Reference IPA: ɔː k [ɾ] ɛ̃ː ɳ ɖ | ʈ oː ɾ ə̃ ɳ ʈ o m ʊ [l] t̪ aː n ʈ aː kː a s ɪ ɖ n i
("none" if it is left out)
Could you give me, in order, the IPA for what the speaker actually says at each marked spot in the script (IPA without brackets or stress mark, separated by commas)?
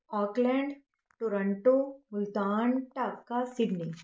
l, l